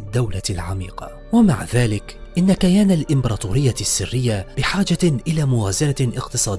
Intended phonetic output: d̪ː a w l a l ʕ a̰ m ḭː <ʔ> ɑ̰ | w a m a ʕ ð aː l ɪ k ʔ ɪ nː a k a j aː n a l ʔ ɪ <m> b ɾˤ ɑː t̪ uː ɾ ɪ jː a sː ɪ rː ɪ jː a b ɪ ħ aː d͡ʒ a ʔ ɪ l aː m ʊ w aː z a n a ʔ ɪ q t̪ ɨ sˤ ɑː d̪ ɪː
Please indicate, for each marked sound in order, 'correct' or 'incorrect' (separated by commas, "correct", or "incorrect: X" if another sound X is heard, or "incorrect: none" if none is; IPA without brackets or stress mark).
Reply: incorrect: q, correct